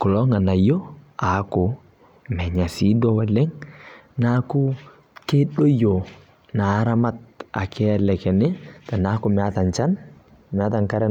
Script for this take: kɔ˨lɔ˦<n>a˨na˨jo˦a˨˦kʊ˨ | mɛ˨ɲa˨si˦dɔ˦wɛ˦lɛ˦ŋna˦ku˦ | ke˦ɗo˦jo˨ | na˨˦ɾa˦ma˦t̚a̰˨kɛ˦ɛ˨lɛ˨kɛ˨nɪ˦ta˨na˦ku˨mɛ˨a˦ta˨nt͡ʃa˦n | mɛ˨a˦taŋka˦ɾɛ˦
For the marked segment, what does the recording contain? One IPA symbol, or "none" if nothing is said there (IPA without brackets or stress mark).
ŋ